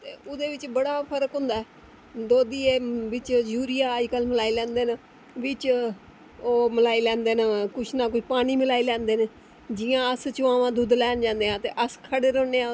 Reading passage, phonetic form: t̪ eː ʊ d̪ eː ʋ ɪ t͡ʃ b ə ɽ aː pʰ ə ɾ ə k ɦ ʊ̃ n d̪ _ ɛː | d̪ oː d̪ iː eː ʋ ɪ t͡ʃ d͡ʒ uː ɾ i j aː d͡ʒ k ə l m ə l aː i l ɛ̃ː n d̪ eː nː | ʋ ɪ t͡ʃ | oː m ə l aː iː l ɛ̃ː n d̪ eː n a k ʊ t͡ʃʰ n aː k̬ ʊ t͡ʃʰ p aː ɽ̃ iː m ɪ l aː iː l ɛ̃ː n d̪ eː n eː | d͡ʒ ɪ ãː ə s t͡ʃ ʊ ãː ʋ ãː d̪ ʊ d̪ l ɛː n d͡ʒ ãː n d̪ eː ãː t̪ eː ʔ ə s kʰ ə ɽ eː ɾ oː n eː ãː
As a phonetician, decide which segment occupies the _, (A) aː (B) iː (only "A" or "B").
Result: A